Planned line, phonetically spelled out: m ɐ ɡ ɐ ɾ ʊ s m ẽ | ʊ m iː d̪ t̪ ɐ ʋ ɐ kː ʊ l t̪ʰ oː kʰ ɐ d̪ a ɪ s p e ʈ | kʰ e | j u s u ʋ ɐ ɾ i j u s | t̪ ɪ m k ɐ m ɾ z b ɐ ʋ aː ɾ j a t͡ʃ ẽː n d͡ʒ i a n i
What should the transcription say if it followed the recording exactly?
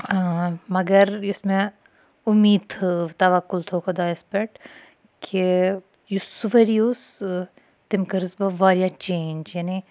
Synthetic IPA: m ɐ ɡ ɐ ɾ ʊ s m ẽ | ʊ m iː d̪ t̪ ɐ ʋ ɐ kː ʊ l t̪ʰ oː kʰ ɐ d̪ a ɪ s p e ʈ | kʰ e | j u s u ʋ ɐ ɾ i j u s | t̪ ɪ m k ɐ ɾ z b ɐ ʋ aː ɾ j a t͡ʃ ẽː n d͡ʒ j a n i

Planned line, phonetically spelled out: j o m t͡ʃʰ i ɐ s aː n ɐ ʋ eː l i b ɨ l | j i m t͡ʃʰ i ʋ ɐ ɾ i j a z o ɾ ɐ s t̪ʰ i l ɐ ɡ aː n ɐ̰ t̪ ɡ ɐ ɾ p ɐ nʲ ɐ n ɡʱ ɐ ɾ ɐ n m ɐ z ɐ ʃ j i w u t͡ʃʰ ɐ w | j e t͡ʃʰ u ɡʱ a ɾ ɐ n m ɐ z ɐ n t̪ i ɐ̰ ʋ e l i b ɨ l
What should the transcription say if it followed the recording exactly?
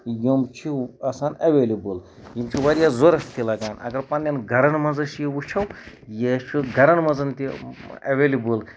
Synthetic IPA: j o m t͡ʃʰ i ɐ s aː n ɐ ʋ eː l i b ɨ l | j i m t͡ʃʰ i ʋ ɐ ɾ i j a z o ɾ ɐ s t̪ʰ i l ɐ ɡ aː n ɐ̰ ɡ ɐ ɾ p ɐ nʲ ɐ n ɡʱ ɐ ɾ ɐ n m ɐ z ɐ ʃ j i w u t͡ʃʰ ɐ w | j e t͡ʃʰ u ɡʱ ɐ ɾ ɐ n m ɐ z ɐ n t̪ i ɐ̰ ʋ e l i b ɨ l

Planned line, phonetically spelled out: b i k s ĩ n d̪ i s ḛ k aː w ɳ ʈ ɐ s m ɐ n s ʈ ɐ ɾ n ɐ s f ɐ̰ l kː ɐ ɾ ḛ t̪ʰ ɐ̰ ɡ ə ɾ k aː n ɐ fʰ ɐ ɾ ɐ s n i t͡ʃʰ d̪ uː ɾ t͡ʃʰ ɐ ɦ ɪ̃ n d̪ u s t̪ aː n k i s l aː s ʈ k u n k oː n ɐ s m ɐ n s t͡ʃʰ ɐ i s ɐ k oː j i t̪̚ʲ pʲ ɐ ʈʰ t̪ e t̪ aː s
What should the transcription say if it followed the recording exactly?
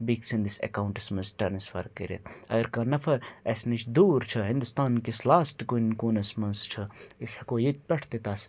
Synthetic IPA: b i k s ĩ n d̪ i s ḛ k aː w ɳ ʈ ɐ s m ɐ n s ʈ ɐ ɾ n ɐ s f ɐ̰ ɾ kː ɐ ɾ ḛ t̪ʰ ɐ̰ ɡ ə ɾ k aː n ɐ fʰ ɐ ɾ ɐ s n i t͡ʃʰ d̪ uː ɾ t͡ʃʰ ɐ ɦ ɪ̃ n d̪ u s t̪ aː n k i s l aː s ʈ k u n k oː n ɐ s m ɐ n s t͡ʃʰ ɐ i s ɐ k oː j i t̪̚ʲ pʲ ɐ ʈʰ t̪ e t̪ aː s

